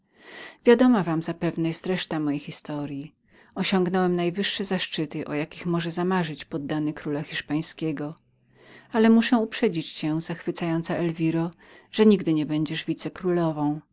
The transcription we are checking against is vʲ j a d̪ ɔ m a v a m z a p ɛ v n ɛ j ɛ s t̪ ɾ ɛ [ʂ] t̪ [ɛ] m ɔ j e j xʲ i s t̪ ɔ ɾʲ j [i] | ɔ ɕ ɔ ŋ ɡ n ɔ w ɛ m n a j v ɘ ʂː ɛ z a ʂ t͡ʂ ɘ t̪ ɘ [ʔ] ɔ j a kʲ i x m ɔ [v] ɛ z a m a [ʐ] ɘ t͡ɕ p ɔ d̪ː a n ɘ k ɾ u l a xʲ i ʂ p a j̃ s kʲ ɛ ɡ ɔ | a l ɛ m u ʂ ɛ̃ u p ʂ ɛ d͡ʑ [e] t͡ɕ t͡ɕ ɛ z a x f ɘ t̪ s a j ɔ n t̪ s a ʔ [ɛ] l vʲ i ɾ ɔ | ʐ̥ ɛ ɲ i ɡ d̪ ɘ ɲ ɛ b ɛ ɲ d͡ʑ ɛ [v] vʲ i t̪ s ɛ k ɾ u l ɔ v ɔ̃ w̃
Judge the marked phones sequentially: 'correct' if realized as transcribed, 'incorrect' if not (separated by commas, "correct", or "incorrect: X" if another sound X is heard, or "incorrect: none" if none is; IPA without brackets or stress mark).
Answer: correct, incorrect: a, correct, correct, incorrect: ʐ, correct, incorrect: i, correct, incorrect: ʐ